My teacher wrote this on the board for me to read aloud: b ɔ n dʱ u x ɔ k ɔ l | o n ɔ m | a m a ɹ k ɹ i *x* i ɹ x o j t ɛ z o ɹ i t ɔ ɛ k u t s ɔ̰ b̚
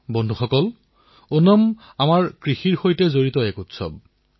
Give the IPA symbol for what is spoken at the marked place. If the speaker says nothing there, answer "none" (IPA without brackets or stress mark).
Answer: x